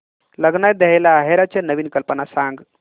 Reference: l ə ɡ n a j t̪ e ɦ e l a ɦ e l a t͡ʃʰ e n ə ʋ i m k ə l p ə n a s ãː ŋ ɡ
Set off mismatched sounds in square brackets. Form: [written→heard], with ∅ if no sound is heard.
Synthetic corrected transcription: l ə ɡ n a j [t̪→d̪] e ɦ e l a ɦ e [l→ɾ] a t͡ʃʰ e n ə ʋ i [m→n] k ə l p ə n a s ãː ŋ ɡ